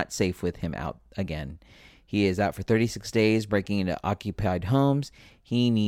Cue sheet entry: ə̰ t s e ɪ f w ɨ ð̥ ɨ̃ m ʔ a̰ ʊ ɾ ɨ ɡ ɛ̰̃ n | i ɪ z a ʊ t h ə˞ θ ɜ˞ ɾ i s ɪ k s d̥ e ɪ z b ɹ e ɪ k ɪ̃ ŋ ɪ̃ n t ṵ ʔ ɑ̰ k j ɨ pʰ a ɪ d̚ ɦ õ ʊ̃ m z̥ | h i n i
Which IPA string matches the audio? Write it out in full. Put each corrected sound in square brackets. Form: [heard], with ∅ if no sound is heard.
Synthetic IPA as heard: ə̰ t s e ɪ f w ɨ ð̥ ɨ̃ m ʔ a̰ ʊ ɾ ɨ ɡ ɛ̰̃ n | i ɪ z a ʊ t [f] ə˞ θ ɜ˞ ɾ i s ɪ k s d̥ e ɪ z b ɹ e ɪ k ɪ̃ ŋ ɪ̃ n t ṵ ʔ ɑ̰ k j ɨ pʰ a ɪ d̚ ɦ õ ʊ̃ m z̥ | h i n i